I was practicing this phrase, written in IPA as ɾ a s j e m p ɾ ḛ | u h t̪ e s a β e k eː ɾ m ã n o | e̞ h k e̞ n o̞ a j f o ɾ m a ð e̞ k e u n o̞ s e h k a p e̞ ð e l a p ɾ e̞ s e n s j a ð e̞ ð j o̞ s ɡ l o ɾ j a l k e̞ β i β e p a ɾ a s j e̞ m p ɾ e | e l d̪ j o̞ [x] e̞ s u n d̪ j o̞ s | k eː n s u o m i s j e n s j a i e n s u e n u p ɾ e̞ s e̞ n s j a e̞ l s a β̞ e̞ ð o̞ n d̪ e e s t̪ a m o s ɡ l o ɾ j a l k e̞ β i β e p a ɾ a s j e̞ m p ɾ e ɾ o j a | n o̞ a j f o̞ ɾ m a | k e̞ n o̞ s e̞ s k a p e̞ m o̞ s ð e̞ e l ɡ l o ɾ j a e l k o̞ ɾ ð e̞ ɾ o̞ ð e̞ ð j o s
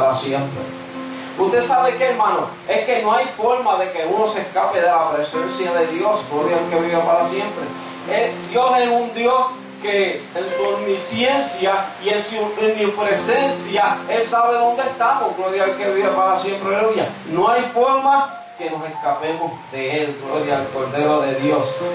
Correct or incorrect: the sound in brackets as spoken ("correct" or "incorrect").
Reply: incorrect